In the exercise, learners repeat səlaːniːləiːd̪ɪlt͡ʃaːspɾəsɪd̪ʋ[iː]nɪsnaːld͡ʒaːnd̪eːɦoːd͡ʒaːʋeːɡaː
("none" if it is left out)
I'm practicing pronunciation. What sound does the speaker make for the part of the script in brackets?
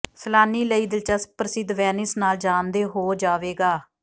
ɛː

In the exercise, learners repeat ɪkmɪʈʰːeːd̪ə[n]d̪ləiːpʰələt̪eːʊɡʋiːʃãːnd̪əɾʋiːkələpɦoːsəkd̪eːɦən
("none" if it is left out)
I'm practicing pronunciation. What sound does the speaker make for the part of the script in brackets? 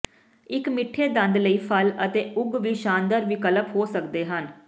n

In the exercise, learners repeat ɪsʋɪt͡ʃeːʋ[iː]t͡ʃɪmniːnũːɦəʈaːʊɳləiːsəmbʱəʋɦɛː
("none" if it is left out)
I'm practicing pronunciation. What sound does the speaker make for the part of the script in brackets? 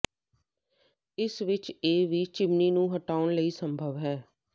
iː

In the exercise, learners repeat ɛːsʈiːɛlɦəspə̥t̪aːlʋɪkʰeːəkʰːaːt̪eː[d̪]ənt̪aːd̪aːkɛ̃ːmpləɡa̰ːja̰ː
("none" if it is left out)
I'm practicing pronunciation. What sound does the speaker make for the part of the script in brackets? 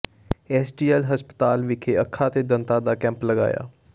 d̪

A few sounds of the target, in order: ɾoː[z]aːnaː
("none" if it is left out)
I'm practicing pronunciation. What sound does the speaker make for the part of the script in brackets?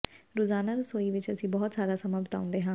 z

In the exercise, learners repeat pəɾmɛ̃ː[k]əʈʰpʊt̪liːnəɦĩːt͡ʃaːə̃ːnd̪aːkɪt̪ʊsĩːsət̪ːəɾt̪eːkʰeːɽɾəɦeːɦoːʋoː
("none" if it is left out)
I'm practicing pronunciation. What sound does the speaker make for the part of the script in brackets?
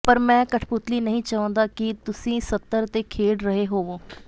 k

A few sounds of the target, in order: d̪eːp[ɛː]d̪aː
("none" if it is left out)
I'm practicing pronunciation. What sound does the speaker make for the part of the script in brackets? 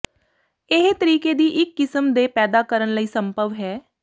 ɛː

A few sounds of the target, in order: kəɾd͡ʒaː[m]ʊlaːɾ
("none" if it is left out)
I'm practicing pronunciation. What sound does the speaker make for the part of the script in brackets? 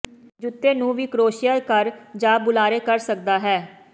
b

